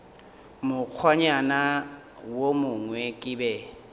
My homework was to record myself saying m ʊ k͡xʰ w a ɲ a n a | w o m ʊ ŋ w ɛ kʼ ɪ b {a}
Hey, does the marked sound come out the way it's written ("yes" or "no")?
no